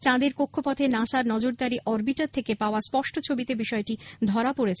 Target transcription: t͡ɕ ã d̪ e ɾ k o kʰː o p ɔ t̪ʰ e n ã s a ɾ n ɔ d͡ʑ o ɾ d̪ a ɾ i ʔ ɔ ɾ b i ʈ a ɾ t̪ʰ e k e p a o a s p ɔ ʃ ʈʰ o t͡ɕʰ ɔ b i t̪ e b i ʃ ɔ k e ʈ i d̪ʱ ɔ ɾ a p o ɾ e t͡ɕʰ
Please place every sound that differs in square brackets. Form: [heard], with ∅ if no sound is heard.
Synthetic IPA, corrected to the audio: t͡ɕ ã d̪ e ɾ k o kʰː o p ɔ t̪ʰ e n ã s a ɾ n ɔ d͡ʑ o ɾ d̪ a ɾ i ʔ ɔ ɾ b i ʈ a ɾ t̪ʰ e k e p a o a s p ɔ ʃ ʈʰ o t͡ɕʰ [o] b i t̪ e b i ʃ ɔ [∅] e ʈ i d̪ʱ ɔ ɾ a p o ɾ e t͡ɕʰ